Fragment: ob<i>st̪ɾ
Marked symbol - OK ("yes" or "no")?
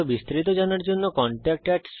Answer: yes